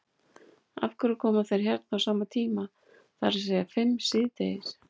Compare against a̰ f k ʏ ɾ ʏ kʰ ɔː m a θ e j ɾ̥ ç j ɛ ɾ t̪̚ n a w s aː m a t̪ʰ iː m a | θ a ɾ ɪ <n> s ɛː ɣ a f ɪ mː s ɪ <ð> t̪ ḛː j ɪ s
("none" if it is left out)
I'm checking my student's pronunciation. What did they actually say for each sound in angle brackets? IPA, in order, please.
none, ð

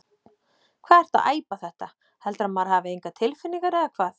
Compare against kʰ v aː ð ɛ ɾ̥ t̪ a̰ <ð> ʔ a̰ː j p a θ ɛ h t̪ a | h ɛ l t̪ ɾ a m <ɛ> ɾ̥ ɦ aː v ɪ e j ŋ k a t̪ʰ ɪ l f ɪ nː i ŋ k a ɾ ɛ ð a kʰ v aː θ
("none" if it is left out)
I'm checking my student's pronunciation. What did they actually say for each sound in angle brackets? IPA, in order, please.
ð, a

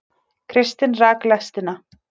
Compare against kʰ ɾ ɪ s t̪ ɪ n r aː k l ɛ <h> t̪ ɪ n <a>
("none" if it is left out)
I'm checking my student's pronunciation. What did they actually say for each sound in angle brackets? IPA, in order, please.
s, a

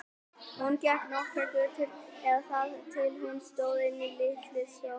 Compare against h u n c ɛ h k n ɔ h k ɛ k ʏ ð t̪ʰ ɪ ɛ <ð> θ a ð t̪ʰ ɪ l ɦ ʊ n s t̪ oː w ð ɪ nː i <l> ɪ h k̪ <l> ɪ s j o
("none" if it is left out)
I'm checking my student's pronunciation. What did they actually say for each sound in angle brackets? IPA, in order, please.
ð, l, l

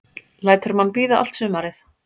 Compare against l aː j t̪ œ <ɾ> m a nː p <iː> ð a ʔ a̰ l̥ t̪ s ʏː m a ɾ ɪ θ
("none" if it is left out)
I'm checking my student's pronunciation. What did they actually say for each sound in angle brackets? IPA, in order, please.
ɾ, iː

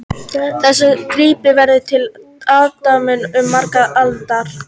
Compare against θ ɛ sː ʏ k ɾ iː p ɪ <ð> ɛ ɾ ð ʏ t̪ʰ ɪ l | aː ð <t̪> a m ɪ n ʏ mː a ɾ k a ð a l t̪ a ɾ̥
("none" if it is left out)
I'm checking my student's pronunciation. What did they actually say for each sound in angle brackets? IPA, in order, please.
v, t̪

